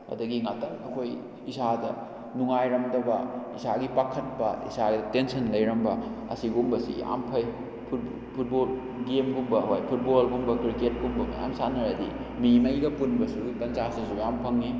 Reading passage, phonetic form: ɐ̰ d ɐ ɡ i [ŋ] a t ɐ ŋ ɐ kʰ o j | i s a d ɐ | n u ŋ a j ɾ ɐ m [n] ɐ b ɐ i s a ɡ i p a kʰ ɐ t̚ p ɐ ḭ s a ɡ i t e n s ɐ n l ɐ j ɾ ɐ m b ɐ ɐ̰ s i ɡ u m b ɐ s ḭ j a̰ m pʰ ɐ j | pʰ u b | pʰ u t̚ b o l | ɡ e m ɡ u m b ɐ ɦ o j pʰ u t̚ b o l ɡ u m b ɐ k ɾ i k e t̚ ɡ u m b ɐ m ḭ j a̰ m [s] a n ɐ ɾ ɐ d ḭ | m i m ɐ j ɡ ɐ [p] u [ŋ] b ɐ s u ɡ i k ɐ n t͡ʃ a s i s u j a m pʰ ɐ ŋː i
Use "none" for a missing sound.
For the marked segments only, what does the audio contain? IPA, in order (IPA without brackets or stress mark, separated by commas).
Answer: ŋ, d, s, p, n